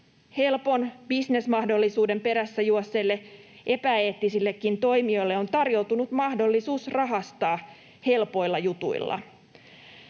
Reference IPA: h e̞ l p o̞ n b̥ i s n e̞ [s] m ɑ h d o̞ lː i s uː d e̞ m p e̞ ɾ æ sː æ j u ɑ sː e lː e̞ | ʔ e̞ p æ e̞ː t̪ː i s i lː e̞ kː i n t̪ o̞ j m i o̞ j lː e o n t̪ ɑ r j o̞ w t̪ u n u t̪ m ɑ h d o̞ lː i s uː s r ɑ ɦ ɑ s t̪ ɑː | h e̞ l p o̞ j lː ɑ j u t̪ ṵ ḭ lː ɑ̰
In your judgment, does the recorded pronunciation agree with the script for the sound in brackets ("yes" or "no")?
yes